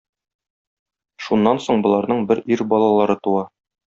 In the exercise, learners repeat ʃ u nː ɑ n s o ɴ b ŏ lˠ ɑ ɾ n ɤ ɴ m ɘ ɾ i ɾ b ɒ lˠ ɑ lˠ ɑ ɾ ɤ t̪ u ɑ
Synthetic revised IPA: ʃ u nː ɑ n s o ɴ b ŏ lˠ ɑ ɾ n ɤ ɴ b ɘ ɾ i ɾ b ɒ lˠ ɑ lˠ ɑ ɾ ɤ t̪ u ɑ